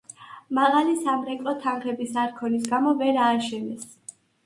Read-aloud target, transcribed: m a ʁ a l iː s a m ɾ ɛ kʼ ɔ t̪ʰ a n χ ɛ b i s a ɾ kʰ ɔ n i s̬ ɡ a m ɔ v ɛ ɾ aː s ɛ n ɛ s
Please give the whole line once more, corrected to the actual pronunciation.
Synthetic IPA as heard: m a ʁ a l i s a m ɾ ɛ kʼ ɔ t̪ʰ a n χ ɛ b i s a ɾ kʰ ɔ n i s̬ ɡ a m ɔ v ɛ ɾ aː ʃ ɛ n ɛ s